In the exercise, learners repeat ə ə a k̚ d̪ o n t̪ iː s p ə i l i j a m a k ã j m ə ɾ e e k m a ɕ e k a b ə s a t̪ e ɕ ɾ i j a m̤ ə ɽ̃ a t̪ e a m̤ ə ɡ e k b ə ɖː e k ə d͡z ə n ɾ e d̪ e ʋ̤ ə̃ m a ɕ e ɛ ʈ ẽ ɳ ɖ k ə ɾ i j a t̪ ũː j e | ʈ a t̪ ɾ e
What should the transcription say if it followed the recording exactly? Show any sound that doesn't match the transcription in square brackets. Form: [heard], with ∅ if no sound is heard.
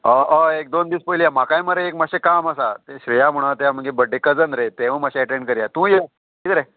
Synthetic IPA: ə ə [e] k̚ d̪ o n [d̪] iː s p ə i l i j a m a k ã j m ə ɾ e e k m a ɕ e k a [m] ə s a t̪ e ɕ ɾ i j a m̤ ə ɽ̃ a t̪ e a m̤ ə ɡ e [∅] b ə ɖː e k ə d͡z ə n ɾ e [t̪] e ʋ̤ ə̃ m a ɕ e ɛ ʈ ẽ ɳ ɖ k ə ɾ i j a t̪ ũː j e | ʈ [i] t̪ ɾ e